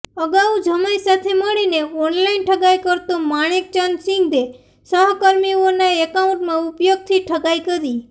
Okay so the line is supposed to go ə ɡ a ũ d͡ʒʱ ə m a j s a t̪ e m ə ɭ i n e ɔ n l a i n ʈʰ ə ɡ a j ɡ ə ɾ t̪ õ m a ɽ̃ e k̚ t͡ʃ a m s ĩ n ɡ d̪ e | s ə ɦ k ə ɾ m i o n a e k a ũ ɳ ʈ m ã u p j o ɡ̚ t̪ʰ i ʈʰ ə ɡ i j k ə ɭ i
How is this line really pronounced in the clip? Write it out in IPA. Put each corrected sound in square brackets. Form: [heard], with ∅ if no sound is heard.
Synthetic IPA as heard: ə ɡ a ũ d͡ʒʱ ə m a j s a [t̪ʰ] e m ə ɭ i n e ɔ n l a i n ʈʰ ə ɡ a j [k] ə ɾ t̪ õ m a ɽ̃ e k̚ t͡ʃ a [n] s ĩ [ŋ] ɡ d̪ e | s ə ɦ k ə ɾ m i o n a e k a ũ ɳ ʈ m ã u p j o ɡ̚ t̪ʰ i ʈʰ ə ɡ [a] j k ə [ɾ] i